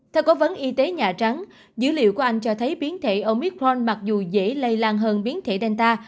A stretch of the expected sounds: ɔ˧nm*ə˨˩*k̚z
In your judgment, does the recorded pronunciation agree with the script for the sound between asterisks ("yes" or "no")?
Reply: no